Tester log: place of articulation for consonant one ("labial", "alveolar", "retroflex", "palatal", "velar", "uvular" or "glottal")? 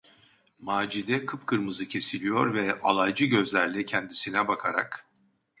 labial